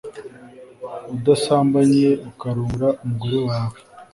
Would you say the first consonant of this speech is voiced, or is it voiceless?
voiced